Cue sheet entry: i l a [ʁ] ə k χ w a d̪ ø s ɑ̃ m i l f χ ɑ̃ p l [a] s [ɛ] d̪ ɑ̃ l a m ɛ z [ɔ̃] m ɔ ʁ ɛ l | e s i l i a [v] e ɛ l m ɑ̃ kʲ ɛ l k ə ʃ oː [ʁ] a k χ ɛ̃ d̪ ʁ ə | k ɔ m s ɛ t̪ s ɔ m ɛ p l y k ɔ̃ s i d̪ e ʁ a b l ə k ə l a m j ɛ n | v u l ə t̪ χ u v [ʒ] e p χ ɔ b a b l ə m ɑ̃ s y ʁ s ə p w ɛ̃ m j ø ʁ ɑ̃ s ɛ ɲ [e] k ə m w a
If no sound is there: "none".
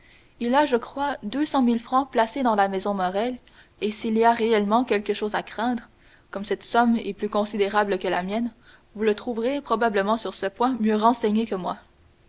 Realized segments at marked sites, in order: ʒ, a, e, ɔ̃, ʁ, z, ʁ, e

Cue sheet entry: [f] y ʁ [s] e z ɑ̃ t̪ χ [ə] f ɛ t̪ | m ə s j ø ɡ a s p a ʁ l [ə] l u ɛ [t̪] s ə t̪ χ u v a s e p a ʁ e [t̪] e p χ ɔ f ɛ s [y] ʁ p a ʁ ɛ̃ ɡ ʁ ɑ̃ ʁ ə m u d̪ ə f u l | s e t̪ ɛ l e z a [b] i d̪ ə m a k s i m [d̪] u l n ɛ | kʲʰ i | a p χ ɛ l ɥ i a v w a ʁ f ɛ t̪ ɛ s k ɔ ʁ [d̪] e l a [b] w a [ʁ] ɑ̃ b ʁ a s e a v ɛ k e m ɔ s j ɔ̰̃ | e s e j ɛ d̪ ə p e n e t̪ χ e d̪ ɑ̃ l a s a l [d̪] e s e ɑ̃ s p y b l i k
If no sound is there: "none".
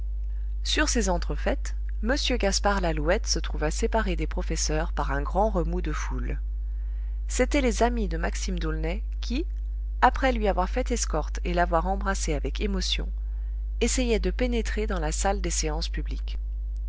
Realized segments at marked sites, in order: s, s, ə, a, t̪, d̪, œ, m, d̪, t̪, v, ʁ, d̪

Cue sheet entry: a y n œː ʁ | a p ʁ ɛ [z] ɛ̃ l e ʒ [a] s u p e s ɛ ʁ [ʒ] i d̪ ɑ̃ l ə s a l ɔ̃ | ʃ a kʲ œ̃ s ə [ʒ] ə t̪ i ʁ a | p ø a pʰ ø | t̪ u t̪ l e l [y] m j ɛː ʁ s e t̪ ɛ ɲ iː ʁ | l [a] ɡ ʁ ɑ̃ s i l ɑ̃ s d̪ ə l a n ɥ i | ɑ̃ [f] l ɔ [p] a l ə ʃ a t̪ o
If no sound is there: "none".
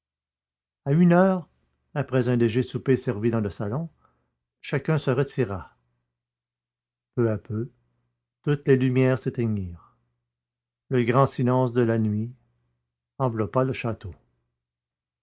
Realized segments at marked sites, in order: z, e, v, ʁ, y, ə, v, p

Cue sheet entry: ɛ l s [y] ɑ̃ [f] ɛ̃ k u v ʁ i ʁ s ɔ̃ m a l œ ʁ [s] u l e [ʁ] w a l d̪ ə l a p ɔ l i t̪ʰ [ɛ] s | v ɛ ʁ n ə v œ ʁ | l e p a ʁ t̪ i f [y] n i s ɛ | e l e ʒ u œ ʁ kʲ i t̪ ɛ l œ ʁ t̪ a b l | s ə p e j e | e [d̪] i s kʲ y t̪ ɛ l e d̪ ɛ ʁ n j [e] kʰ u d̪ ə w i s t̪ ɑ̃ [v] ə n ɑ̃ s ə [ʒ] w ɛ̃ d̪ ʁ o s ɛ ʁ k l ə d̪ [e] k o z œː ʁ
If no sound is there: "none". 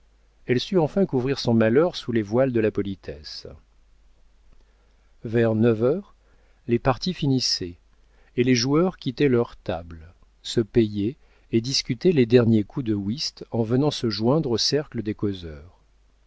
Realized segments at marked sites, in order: y, f, s, v, ɛ, i, d̪, e, v, ʒ, e

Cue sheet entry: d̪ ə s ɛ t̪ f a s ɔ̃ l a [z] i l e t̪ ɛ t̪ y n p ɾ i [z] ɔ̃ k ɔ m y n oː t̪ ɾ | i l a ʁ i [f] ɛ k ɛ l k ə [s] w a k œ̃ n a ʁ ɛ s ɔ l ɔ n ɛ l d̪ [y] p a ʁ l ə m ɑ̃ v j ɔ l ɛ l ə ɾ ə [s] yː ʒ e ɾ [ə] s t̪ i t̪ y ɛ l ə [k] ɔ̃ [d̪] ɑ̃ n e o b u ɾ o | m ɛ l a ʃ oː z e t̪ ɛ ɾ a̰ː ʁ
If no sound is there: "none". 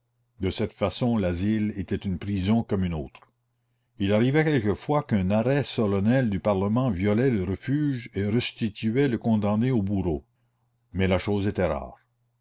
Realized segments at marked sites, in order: z, z, v, f, y, f, ə, k, d̪

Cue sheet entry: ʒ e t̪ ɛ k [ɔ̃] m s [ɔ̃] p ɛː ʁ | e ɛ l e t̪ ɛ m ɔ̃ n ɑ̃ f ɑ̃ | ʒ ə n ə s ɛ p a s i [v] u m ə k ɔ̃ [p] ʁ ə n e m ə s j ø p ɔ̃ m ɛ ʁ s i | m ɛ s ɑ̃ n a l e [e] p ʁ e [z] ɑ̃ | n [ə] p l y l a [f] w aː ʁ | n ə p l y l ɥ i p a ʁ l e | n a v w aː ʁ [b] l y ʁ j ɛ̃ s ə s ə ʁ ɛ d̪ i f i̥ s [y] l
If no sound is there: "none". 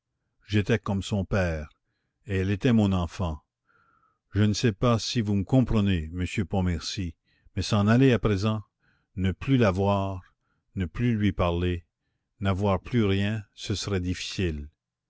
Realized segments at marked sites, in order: ɔ, ɔ̃, v, p, a, z, ə, v, p, i

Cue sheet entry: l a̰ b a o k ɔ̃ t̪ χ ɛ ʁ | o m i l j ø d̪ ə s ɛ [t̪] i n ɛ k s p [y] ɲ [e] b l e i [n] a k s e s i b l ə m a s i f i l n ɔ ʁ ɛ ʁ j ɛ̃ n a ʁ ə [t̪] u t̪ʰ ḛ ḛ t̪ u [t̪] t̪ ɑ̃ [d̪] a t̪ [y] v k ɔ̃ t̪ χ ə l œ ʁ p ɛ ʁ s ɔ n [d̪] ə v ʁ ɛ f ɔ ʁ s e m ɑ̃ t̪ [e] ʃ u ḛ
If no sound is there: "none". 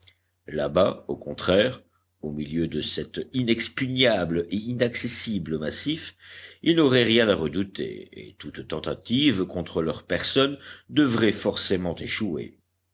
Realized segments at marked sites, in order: t̪, y, a, n, d̪, t̪, t̪, i, d̪, e

